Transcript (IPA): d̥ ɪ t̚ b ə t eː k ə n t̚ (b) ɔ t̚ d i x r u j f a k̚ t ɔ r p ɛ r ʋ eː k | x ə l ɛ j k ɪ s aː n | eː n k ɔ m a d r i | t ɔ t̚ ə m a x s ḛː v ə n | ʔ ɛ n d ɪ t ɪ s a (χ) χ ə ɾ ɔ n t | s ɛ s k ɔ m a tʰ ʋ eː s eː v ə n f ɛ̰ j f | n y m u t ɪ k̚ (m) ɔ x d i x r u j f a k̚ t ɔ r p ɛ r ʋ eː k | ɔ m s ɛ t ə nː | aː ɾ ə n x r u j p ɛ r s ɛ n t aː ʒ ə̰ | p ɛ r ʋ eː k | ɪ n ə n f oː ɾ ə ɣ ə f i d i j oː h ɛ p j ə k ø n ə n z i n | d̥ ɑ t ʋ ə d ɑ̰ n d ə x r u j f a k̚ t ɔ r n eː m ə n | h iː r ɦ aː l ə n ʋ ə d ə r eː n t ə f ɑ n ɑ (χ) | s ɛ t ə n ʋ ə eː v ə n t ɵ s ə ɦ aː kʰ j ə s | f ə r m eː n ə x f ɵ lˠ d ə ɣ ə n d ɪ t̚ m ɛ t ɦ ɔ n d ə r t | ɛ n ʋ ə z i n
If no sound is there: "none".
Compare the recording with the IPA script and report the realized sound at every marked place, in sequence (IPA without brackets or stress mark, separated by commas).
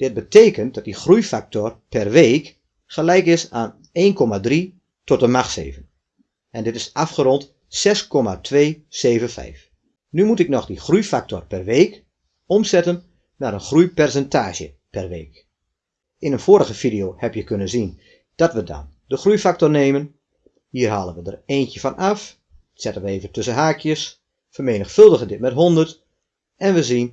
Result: d, f, n, f